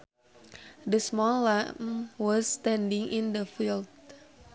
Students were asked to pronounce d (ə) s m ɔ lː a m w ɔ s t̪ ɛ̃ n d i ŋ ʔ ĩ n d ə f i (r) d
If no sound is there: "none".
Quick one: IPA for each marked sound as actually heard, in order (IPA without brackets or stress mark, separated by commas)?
ə, l